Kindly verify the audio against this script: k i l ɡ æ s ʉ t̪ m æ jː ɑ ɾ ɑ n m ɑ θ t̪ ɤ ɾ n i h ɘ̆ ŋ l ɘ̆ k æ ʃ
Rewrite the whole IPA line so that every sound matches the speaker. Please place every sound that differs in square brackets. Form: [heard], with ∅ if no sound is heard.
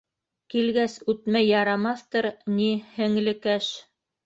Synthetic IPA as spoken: k i l ɡ æ s ʉ t̪ m æ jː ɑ ɾ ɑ [∅] m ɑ θ t̪ ɤ ɾ n i h ɘ̆ ŋ l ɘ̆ k æ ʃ